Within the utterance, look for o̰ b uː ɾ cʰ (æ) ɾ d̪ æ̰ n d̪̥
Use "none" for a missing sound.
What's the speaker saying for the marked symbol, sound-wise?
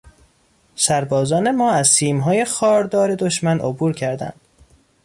æ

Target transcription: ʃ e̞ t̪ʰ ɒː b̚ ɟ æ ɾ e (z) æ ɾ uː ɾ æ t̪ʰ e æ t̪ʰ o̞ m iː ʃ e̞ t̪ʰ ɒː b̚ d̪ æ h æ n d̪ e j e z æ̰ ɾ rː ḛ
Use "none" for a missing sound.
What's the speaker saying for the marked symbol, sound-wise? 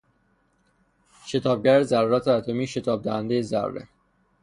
z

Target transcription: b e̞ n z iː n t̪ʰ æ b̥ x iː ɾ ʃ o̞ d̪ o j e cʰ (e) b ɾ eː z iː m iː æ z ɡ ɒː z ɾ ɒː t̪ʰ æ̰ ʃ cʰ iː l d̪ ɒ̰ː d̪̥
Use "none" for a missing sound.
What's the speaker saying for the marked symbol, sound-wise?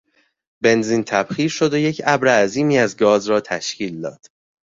æ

